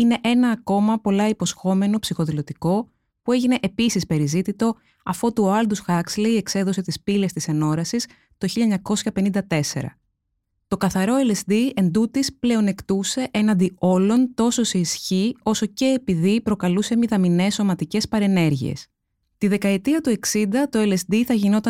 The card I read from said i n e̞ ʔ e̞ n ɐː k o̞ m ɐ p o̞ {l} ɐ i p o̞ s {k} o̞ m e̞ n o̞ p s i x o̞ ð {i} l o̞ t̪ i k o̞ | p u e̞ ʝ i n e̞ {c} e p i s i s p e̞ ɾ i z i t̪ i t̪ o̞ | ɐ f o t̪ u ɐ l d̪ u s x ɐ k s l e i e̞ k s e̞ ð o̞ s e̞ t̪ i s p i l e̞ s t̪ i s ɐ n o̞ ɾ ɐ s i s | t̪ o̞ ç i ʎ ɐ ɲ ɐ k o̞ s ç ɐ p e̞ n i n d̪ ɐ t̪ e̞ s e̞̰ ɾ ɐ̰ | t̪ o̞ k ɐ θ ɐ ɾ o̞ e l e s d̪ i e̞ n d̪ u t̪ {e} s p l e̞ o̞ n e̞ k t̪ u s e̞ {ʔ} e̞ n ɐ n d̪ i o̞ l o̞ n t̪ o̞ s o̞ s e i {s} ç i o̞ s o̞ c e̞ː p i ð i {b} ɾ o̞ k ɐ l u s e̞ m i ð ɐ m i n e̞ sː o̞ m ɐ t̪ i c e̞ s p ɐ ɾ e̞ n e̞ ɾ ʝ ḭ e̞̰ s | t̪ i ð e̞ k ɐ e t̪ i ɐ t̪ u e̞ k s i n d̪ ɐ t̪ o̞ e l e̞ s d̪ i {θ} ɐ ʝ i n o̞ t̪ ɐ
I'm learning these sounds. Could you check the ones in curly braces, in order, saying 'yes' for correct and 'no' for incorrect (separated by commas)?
yes, no, yes, no, no, yes, yes, no, yes